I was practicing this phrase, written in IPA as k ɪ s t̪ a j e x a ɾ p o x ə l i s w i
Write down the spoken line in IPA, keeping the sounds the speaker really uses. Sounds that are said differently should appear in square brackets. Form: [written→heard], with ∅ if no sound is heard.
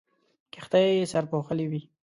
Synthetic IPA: k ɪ [s→x] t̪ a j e [x→s] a ɾ p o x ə l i [s→∅] w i